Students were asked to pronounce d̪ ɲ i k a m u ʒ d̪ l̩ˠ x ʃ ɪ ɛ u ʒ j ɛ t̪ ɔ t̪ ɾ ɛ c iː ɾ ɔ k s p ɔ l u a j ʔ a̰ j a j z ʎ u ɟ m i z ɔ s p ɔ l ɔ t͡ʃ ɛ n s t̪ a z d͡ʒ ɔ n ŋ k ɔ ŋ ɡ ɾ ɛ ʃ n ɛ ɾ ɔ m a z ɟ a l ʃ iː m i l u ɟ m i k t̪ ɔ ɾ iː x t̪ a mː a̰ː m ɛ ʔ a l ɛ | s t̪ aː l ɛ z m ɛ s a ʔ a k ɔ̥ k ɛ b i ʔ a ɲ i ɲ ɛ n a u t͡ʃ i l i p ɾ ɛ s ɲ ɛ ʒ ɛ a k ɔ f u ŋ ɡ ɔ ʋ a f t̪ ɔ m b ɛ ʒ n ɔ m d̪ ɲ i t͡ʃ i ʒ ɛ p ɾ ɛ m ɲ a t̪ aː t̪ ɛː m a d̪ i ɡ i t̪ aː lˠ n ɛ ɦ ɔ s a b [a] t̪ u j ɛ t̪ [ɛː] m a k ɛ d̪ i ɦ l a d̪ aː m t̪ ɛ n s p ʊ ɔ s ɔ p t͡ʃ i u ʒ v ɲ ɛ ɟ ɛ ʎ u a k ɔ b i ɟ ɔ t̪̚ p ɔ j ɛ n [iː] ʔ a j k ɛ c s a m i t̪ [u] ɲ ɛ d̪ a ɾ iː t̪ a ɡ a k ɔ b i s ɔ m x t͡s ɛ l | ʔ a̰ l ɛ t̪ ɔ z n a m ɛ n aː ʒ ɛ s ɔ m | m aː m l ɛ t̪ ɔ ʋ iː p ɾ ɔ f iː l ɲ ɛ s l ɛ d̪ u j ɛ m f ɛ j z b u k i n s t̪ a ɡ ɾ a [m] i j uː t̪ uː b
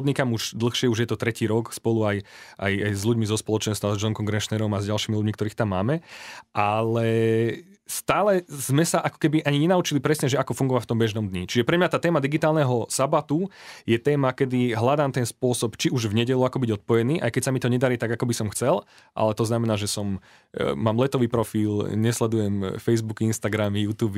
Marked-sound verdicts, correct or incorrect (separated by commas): correct, correct, correct, incorrect, correct